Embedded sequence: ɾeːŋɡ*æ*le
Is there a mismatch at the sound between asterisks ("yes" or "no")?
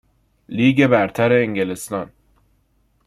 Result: yes